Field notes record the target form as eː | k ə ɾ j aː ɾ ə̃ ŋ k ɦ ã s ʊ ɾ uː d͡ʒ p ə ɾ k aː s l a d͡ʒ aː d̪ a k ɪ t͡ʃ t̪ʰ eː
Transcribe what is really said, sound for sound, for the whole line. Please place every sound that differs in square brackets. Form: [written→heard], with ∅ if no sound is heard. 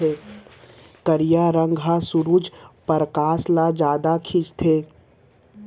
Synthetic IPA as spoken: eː | k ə ɾ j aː ɾ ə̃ ŋ [k→ɡ] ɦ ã s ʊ ɾ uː d͡ʒ p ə ɾ k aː s l a d͡ʒ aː d̪ a [k→kʰ] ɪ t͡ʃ t̪ʰ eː